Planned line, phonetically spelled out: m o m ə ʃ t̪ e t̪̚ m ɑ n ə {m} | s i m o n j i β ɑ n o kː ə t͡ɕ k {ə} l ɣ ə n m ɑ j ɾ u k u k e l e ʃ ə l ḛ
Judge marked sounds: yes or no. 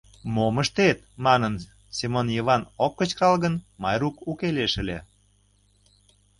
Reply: no, no

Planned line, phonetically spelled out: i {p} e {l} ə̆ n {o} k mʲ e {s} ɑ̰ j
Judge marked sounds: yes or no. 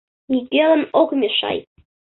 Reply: no, yes, yes, no

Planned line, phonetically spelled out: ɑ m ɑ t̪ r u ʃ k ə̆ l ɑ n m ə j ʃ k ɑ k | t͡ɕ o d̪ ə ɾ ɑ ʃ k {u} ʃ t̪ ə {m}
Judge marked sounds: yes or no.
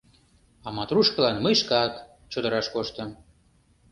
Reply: no, yes

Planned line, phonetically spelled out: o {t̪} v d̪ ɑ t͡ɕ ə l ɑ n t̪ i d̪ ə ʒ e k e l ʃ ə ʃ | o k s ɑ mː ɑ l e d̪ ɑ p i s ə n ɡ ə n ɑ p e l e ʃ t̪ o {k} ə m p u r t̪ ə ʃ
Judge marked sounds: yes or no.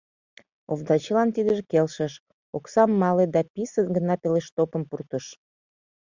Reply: no, no

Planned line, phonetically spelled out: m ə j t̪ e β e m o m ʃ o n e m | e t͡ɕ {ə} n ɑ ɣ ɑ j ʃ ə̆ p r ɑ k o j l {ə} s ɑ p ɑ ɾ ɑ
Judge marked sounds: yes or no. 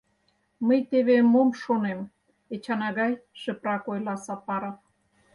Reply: no, no

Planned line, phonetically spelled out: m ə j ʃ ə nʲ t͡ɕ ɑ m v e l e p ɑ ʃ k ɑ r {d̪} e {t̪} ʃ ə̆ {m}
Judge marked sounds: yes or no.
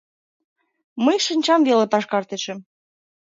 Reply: no, no, yes

